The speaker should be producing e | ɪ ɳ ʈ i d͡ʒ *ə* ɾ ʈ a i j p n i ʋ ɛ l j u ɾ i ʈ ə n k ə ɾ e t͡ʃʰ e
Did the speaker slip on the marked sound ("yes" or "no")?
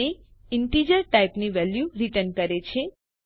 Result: no